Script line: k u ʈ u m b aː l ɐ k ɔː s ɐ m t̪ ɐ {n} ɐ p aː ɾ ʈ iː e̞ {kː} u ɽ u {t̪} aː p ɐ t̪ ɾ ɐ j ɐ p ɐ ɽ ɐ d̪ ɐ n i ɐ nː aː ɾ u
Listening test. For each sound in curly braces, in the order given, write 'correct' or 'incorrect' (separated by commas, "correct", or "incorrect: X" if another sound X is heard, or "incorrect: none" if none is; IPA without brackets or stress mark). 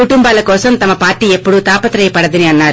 incorrect: m, incorrect: pː, correct